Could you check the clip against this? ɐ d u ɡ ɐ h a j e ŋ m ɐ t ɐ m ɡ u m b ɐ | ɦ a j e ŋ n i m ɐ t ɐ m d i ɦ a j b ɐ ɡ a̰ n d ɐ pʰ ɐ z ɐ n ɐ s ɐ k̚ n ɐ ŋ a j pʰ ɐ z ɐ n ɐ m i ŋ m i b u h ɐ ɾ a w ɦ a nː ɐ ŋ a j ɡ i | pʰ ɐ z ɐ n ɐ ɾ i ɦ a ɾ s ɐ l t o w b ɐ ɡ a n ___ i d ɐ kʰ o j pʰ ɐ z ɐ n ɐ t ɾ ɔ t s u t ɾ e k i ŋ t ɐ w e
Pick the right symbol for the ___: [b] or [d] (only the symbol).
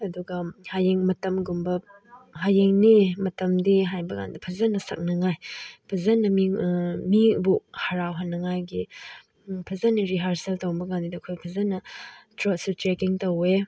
d